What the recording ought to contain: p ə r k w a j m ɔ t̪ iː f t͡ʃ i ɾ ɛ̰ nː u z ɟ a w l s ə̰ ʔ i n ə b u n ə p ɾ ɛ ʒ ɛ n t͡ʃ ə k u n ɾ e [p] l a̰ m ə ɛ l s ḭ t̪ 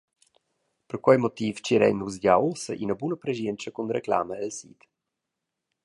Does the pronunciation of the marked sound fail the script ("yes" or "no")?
yes